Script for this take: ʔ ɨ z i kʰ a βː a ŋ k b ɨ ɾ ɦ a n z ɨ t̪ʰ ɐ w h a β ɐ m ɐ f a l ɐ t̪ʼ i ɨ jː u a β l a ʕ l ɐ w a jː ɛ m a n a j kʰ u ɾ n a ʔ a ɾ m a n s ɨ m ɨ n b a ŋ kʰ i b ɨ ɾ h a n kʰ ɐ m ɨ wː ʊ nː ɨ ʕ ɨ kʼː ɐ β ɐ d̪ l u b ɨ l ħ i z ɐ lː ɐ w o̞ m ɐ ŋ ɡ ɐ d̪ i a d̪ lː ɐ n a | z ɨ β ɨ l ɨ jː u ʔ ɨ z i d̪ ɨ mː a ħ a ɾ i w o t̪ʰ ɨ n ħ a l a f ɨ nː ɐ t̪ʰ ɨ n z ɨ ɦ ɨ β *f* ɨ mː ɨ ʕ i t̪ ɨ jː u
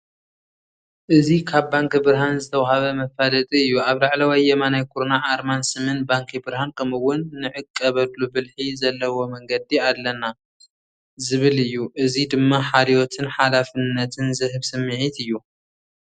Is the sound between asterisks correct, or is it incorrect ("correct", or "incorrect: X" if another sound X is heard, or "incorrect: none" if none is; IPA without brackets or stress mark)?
incorrect: s